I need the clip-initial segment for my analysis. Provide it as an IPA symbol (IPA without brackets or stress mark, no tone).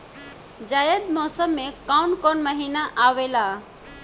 d͡ʒ